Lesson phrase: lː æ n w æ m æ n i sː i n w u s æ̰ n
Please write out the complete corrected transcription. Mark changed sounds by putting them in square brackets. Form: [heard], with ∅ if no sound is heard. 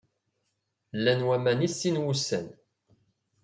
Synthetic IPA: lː æ n w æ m æ n i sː i n w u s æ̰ n